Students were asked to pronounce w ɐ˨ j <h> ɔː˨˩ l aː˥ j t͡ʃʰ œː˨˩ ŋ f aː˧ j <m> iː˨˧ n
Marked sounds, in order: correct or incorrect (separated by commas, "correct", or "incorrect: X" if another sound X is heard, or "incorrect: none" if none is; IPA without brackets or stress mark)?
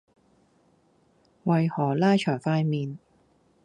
correct, correct